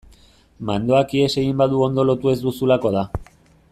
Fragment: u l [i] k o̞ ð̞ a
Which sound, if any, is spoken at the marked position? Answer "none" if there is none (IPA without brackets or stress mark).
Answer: a